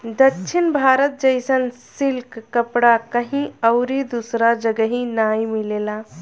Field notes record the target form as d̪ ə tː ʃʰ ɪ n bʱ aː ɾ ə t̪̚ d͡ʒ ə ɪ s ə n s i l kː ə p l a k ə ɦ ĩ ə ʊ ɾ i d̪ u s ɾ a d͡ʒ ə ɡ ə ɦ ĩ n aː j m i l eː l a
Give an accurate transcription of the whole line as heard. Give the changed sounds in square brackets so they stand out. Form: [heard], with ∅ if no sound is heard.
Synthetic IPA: d̪ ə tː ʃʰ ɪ n bʱ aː ɾ ə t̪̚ d͡ʒ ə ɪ s ə n s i l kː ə p [ɽ] a k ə ɦ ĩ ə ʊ ɾ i d̪ u s ɾ a d͡ʒ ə ɡ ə ɦ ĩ n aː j m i l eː l a